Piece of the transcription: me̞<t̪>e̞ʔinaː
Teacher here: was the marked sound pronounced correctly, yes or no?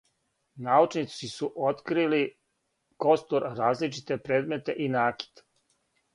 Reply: yes